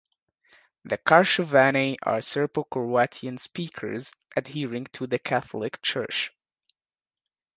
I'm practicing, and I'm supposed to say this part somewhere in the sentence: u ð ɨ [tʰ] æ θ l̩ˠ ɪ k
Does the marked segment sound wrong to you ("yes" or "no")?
yes